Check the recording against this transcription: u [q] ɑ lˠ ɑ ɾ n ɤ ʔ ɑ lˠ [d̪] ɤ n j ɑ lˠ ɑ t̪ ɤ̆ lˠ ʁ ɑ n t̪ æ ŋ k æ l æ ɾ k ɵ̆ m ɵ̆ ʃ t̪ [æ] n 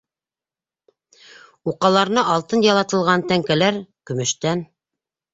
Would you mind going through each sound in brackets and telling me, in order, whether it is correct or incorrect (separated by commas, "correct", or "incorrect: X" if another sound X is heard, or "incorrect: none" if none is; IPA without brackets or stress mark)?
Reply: correct, incorrect: t̪, correct